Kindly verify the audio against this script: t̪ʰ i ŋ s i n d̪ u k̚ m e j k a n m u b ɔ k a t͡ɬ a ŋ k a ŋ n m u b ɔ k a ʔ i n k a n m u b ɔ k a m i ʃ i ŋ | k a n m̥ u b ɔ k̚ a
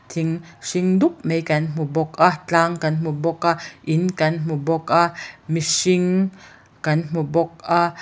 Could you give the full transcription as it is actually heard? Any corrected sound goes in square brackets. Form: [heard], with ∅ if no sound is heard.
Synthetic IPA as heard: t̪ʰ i ŋ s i [ŋ] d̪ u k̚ m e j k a n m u b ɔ k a t͡ɬ a ŋ k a [∅] n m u b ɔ k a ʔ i n k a n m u b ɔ k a m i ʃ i ŋ | k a n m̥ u b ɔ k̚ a

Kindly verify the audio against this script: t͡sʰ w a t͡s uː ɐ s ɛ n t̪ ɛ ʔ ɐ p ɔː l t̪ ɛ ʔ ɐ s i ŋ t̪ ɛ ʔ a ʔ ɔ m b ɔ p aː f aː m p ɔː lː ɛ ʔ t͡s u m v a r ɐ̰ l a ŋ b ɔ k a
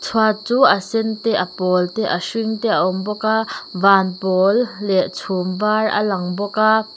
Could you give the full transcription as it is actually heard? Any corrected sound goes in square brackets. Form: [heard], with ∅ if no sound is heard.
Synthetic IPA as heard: t͡sʰ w a t͡s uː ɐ s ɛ n t̪ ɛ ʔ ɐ p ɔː l t̪ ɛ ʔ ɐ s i ŋ t̪ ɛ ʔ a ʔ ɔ m b ɔ [k] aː [v] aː [n] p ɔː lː ɛ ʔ [t͡sʰ] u m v a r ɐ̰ l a ŋ b ɔ k a

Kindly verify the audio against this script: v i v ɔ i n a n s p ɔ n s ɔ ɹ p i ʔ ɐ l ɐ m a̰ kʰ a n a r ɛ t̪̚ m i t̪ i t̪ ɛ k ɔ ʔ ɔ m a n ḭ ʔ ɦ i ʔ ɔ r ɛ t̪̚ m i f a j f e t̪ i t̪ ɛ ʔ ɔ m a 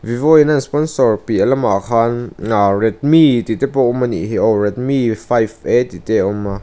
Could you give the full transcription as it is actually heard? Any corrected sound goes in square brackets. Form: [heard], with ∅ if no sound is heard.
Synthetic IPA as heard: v i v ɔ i n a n s p ɔ n s ɔ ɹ p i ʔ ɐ l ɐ m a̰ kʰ a n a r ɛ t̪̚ m i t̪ i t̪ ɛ [p] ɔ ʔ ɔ m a n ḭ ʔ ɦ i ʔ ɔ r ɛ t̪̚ m i f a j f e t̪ i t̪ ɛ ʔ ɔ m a

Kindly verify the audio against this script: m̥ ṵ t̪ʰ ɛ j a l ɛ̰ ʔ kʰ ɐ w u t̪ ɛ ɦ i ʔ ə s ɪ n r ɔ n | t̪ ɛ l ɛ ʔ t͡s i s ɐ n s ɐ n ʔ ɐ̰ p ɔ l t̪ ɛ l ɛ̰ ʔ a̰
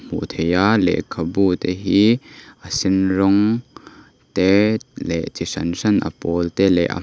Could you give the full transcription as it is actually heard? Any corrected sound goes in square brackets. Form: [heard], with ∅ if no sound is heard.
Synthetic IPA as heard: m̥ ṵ t̪ʰ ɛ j a l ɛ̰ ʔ kʰ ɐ [b] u t̪ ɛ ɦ i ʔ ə s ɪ n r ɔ [ŋ] | t̪ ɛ l ɛ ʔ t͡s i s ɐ n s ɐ n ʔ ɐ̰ p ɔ l t̪ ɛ l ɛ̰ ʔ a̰

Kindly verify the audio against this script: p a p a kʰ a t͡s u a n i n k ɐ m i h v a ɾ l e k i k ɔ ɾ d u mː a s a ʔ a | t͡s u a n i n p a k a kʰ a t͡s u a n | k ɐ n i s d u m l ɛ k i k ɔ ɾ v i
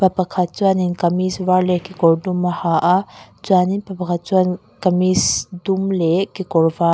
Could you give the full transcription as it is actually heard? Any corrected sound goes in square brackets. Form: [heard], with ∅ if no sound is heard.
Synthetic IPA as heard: p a p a kʰ a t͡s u a n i n k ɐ m i [s] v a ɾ l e k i k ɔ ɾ d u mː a [h] a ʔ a | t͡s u a n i n p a [p] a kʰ a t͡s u a n | k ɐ [m] i s d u m l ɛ k i k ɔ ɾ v [a]

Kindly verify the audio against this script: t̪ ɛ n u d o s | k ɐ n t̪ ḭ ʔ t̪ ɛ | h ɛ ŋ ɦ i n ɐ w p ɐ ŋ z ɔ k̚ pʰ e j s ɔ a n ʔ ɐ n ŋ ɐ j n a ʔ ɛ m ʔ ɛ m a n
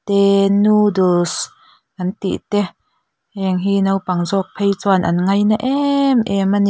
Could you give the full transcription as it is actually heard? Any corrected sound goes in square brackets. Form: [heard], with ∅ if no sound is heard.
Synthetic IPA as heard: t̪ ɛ n u d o s | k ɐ n t̪ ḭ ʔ t̪ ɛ | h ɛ ŋ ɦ i n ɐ w p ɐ ŋ z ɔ k̚ pʰ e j [t͡s] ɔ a n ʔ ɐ n ŋ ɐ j n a ʔ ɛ m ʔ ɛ m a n

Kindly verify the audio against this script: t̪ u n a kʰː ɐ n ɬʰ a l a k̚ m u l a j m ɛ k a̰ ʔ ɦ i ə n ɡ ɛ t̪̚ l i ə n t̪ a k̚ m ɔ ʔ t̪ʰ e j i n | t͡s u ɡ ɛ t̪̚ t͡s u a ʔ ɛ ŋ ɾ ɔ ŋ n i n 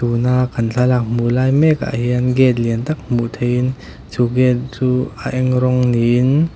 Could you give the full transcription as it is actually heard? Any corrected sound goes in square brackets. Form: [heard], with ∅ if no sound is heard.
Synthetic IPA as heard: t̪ u n a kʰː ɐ n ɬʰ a l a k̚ m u l a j m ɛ k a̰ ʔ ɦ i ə n ɡ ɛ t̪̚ l i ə n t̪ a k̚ m [u] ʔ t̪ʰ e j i n | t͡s u ɡ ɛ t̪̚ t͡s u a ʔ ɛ ŋ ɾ ɔ ŋ n i n

